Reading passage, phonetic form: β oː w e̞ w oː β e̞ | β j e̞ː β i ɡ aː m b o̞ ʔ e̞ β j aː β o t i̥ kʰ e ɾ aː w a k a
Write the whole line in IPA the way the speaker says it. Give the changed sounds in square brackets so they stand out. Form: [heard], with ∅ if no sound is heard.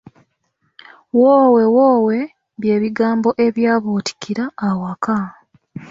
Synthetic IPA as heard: [w] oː w e̞ w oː [w] e̞ | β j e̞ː β i ɡ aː m b o̞ ʔ e̞ β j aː β o t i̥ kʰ [i] ɾ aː w a k a